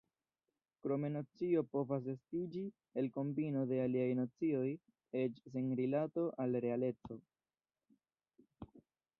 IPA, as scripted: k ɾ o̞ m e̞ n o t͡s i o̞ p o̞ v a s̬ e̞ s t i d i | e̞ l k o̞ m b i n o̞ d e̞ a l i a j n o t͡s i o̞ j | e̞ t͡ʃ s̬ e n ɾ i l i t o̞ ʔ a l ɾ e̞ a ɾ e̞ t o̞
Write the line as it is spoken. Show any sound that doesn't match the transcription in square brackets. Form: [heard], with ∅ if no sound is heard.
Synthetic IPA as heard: k ɾ o̞ m e̞ n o t͡s i o̞ p o̞ v a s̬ e̞ s t i [d͡ʒ] i | e̞ l k o̞ m b i n o̞ d e̞ a l i a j n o t͡s i o̞ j | e̞ t͡ʃ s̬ e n ɾ i l [a] t o̞ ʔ a l ɾ e̞ a [l] e̞ [t͡s] o̞